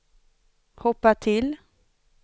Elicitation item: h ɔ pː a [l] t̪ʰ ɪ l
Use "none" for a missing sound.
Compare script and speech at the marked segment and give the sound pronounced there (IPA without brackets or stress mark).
none